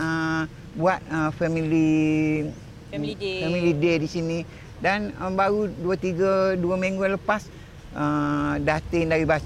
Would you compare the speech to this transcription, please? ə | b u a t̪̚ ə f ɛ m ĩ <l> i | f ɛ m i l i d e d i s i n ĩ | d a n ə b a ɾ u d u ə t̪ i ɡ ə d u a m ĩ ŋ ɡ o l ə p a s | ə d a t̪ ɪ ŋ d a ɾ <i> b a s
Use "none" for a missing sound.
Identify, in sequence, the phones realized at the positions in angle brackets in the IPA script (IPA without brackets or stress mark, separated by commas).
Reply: l, i